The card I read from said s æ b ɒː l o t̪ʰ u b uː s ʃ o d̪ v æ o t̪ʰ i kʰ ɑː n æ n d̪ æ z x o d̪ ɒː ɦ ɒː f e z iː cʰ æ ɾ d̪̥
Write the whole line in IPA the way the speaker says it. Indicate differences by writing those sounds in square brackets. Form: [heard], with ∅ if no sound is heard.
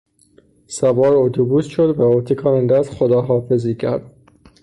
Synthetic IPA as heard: s æ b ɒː [ɾ] o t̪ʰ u b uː s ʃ o d̪ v æ o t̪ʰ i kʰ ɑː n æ n d̪ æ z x o d̪ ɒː ɦ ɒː f e z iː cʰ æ ɾ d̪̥